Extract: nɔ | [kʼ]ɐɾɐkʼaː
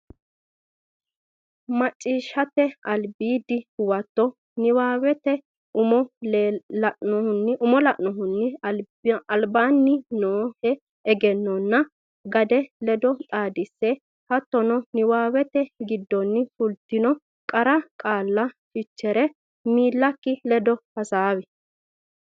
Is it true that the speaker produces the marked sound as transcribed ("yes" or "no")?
yes